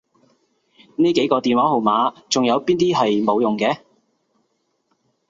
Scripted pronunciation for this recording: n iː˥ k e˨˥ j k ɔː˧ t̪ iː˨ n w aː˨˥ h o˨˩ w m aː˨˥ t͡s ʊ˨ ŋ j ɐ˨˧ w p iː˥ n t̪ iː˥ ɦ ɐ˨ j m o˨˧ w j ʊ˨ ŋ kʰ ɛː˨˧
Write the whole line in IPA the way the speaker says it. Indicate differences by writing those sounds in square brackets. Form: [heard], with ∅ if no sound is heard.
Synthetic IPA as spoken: n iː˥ k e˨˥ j k ɔː˧ t̪ iː˨ n w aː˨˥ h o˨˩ w m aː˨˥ t͡s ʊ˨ ŋ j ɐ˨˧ w p iː˥ n t̪ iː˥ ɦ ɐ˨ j m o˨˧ w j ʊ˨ ŋ [k] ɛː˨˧